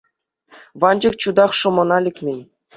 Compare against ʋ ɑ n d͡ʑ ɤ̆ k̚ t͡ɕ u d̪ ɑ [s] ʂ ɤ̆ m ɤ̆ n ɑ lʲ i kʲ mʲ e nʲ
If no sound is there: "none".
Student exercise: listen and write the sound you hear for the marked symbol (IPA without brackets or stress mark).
χ